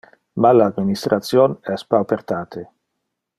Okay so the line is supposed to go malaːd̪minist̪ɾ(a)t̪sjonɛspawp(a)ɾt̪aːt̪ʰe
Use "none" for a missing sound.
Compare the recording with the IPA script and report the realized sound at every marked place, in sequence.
a, e

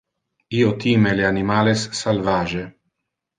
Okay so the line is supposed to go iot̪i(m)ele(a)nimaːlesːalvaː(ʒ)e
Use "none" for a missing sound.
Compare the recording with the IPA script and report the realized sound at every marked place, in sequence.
m, a, ʒ

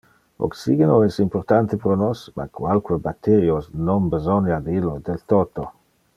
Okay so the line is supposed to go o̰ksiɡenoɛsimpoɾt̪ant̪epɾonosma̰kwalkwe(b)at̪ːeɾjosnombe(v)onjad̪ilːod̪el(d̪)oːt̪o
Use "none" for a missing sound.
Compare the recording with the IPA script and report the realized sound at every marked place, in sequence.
b, z, t̪

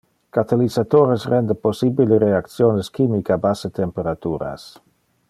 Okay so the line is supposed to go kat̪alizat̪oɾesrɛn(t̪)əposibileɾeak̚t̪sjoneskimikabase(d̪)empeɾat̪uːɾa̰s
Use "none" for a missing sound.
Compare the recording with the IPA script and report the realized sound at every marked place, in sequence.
d̪, t̪

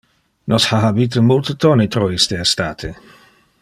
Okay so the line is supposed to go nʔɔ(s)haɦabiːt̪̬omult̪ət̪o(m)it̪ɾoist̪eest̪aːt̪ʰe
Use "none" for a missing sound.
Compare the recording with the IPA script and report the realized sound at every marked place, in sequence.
s, n

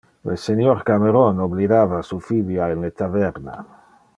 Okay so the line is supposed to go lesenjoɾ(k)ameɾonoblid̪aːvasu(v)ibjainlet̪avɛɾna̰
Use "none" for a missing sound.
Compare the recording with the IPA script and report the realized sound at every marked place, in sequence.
k, f

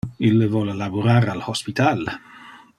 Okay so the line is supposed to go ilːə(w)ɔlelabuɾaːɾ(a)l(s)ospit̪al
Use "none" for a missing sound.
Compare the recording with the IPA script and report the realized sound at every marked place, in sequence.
v, a, h

